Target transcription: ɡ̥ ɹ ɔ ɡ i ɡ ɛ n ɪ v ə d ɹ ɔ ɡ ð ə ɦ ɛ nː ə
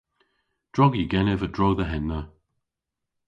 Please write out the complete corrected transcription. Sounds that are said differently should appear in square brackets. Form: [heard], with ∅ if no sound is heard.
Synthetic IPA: [d̥] ɹ ɔ ɡ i ɡ ɛ n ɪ v ə d ɹ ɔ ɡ ð ə ɦ ɛ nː ə